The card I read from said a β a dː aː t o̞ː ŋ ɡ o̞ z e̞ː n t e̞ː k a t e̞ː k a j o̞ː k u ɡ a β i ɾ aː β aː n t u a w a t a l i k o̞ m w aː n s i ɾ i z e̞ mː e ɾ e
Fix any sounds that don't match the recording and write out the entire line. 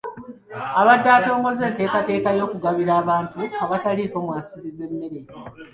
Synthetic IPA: a β a dː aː t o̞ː ŋ ɡ o̞ z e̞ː n t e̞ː k a t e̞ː k a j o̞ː k u ɡ a β i ɾ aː β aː n t u a β a t a l i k o̞ m w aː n s i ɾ i z e̞ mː e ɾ e